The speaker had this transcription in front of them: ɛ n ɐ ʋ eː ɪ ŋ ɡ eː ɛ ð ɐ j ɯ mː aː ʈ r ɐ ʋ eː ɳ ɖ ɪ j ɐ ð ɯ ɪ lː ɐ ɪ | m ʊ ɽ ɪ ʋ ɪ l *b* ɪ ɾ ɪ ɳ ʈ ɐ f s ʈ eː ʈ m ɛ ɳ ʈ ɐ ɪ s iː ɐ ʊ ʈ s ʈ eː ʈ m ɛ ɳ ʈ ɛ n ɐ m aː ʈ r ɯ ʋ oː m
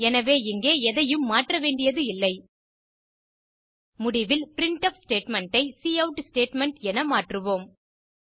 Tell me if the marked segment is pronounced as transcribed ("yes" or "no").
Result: no